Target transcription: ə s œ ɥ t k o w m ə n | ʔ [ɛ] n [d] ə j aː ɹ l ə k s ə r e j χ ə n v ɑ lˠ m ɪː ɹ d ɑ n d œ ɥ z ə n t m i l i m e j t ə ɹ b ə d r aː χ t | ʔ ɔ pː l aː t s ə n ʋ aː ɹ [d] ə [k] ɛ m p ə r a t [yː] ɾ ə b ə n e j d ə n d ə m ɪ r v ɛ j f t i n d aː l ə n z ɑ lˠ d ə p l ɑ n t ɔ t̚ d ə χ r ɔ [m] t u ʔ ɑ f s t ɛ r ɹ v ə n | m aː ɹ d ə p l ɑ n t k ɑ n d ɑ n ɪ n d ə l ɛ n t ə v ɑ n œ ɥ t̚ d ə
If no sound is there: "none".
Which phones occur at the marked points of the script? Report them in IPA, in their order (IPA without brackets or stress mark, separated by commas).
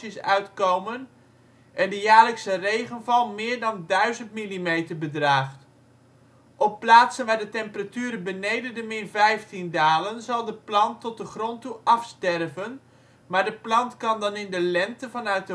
ɛ, d, d, t, yː, n